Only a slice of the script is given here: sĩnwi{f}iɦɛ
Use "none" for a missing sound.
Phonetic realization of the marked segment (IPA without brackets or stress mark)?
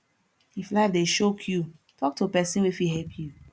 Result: f